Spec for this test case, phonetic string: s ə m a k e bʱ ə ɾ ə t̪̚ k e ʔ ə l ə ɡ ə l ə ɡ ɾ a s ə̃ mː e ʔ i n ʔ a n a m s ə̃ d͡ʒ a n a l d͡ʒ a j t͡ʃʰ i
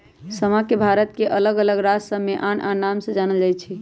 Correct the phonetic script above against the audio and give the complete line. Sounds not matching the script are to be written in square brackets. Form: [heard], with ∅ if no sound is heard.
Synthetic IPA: s ə m a k e bʱ [a] ɾ ə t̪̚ k e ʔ ə l ə ɡ ə l ə ɡ ɾ a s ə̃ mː e ʔ [a] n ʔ a n a m s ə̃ d͡ʒ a n [ə] l d͡ʒ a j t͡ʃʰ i